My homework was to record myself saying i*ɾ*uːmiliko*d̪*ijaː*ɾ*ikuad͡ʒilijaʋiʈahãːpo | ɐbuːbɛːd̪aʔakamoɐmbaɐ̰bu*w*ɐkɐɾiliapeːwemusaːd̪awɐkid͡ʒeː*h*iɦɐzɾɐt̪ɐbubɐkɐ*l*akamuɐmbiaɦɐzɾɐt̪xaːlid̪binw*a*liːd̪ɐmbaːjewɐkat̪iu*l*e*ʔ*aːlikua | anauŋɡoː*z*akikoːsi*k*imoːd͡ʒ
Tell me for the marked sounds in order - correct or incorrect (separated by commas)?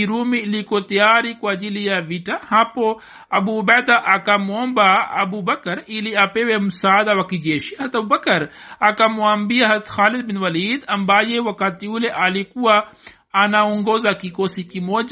correct, incorrect, correct, incorrect, incorrect, incorrect, incorrect, correct, correct, correct, correct